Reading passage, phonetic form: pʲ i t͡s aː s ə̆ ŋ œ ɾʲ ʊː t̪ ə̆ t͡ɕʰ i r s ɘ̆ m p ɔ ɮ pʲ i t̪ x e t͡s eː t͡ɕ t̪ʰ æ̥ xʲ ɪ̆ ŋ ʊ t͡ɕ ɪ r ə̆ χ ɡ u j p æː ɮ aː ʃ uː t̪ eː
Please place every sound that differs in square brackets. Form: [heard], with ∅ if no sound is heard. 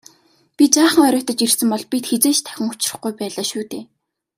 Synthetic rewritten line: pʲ i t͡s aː [χ] ə̆ ŋ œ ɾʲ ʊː t̪ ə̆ [t͡ɕ] i r s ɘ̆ m p ɔ ɮ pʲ i t̪ x e t͡s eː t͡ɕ t̪ʰ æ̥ xʲ ɪ̆ ŋ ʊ t͡ɕ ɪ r ə̆ χ ɡ u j p æː ɮ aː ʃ uː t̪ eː